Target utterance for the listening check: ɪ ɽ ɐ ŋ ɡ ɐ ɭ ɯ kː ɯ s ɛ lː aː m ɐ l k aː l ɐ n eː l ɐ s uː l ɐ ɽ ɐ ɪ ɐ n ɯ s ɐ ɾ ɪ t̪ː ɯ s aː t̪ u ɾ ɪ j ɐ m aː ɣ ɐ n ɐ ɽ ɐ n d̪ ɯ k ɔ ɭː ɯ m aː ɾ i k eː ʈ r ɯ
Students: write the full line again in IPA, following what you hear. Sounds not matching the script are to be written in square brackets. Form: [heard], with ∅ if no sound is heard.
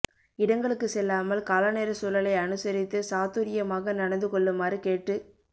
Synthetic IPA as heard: ɪ ɽ ɐ ŋ ɡ ɐ ɭ ɯ kː ɯ s ɛ lː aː m ɐ l k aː l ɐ n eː [ɾ] ɐ s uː l ɐ [l] ɐ ɪ ɐ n ɯ s ɐ ɾ ɪ t̪ː ɯ s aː t̪ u ɾ ɪ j ɐ m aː ɣ ɐ n ɐ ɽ ɐ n d̪ ɯ k ɔ ɭː ɯ m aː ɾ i k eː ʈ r ɯ